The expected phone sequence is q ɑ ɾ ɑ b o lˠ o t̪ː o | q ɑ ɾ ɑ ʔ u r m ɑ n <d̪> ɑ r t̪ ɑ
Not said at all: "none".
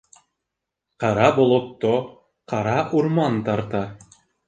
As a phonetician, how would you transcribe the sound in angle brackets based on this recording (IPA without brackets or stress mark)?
t̪